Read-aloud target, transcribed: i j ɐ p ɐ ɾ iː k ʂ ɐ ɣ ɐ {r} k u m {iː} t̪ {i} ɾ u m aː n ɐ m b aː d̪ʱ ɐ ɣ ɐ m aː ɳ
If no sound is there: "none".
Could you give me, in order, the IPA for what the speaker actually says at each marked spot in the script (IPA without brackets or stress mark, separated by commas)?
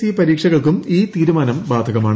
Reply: ɭ, iː, iː